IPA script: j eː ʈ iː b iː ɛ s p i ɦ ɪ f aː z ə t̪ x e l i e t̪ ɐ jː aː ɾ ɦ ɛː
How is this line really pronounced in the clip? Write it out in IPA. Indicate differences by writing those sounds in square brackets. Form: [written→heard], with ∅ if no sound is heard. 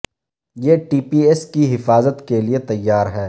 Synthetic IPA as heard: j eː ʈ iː [b→p] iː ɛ s [p→k] i ɦ ɪ f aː z ə t̪ [x→k] e l i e t̪ ɐ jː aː ɾ ɦ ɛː